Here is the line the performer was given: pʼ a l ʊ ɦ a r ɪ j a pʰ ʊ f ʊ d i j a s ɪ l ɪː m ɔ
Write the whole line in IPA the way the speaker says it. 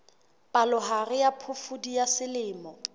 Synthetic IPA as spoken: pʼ a l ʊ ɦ a r ɪ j a pʰ ʊ f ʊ d i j a s ɪ l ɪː m ɔ